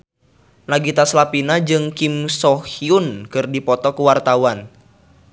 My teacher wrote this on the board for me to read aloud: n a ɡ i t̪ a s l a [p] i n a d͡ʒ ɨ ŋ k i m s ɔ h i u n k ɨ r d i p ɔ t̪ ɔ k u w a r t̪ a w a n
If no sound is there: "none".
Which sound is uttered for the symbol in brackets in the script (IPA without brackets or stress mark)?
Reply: p